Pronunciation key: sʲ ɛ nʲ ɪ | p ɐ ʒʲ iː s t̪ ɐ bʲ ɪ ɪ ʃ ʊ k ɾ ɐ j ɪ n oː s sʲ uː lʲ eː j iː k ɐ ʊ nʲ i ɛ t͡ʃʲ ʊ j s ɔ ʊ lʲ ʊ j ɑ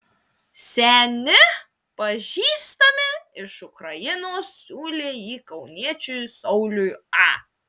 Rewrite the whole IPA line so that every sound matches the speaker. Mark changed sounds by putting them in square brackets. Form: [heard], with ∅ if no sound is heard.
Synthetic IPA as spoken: sʲ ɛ nʲ ɪ | p ɐ ʒʲ iː s t̪ ɐ [mʲ] ɪ ɪ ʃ ʊ k ɾ ɐ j ɪ n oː s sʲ uː lʲ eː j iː k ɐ ʊ nʲ i ɛ t͡ʃʲ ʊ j s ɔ ʊ lʲ ʊ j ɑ